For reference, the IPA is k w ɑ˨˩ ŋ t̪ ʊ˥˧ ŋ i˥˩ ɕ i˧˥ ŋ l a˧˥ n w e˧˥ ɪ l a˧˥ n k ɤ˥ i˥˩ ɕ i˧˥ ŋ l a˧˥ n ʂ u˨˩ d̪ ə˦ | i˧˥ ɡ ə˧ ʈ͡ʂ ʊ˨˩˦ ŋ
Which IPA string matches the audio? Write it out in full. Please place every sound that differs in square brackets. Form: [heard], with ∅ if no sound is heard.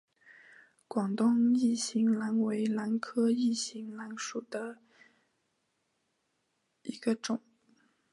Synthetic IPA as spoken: k w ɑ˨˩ ŋ t̪ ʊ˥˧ ŋ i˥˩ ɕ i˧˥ ŋ l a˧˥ n w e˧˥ ɪ l a˧˥ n [kʰ] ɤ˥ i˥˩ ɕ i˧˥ ŋ l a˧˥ n ʂ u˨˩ d̪ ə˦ | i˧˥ ɡ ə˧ ʈ͡ʂ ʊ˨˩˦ ŋ